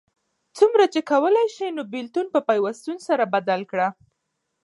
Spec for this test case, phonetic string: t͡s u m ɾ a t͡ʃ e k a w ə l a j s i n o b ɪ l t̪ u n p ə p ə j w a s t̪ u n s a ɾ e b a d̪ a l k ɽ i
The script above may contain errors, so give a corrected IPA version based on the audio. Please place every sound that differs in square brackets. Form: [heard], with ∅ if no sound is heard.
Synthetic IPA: t͡s u m ɾ a t͡ʃ e k a w ə l a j [ʃ] i n o b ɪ l t̪ u n p ə p [a] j w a s t̪ u n s a ɾ [a] b a d̪ a l k ɽ [a]